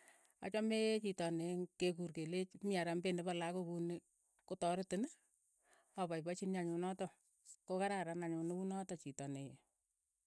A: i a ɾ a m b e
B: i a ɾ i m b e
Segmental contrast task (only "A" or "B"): A